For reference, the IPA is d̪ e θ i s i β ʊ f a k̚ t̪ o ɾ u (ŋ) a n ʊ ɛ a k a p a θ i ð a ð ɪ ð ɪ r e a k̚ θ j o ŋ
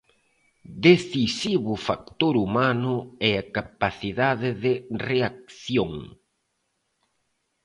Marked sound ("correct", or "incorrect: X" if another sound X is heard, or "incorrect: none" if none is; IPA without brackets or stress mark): incorrect: m